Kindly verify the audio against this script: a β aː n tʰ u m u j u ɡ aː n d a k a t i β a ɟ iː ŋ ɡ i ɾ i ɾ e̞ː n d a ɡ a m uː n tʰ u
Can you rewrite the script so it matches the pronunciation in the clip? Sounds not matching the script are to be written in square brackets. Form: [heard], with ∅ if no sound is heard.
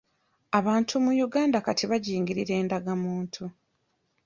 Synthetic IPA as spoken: a β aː n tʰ u m u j u ɡ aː n d a k a t i β a ɟ iː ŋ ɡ i ɾ i ɾ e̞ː n d a ɡ a m uː n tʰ u